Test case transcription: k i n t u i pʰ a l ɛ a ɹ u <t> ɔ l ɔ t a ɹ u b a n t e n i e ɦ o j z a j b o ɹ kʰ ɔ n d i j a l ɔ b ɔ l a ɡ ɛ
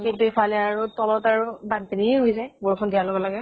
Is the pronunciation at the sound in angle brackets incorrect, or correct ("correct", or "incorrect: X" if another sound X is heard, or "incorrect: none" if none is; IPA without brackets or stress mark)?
correct